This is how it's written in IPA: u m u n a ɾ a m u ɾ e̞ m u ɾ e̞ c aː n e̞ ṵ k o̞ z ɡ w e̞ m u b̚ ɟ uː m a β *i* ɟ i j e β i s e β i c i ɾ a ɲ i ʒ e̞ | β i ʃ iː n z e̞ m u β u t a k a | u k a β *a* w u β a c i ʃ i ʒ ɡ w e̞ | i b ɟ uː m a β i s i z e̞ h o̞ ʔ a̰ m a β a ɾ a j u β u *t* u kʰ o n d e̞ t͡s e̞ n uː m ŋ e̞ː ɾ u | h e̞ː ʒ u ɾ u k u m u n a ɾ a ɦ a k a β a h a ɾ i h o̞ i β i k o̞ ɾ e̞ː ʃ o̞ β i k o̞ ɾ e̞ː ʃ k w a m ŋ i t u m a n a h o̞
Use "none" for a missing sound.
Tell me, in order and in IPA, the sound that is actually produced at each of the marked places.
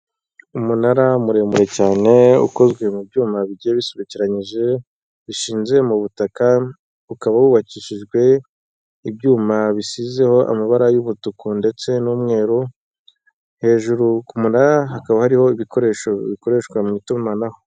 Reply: i, a, t

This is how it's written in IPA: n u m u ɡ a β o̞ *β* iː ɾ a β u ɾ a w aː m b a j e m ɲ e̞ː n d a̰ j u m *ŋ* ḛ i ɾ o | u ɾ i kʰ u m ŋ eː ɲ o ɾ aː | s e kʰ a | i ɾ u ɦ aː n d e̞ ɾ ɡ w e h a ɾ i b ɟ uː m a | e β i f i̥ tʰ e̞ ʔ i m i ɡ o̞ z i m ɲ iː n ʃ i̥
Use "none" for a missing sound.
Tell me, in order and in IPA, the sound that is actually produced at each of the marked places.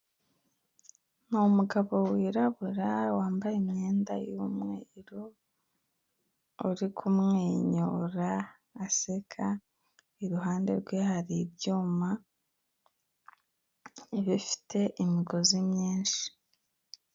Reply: w, ŋ

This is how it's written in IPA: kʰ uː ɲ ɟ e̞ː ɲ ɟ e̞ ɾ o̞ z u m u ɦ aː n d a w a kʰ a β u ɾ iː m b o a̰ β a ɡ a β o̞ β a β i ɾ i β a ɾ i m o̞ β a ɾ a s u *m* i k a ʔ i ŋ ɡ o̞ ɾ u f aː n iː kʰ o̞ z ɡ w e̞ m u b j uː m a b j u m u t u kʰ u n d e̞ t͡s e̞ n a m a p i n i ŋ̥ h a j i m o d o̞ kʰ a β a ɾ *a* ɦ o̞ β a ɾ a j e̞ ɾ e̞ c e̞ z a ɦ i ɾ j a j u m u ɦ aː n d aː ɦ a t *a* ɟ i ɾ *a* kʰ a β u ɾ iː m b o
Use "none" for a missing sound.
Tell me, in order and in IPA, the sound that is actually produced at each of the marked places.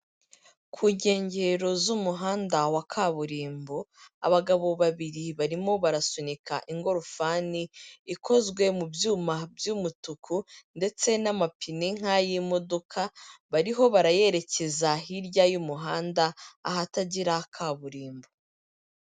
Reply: n, i, a, a

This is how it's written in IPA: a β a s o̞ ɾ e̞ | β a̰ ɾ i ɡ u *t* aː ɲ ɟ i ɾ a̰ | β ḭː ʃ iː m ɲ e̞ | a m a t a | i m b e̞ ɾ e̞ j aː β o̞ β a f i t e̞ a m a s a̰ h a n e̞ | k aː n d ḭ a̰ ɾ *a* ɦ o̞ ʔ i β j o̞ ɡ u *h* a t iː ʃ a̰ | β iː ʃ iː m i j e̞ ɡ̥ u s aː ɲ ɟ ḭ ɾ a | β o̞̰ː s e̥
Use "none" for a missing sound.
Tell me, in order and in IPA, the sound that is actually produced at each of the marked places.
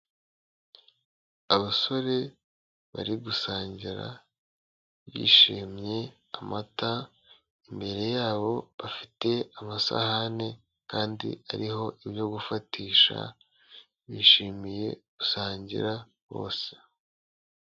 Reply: s, i, f

